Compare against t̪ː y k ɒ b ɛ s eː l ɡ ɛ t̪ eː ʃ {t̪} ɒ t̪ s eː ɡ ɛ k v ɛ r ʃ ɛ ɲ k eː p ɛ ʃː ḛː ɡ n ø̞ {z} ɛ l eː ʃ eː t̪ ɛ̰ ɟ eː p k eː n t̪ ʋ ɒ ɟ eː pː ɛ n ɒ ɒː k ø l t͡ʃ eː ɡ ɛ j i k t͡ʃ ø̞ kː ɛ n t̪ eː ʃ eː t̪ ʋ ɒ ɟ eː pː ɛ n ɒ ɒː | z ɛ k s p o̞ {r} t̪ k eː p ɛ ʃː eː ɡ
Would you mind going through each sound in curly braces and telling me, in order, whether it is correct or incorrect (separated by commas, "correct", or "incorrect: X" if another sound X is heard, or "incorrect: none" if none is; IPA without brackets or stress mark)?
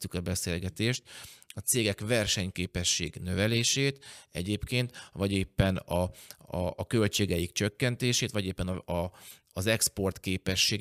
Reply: correct, incorrect: v, correct